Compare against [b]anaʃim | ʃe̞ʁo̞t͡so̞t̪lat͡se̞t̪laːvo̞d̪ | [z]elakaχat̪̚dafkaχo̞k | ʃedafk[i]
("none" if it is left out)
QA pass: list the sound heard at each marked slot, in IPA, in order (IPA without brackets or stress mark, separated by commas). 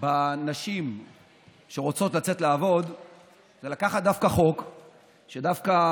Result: b, z, a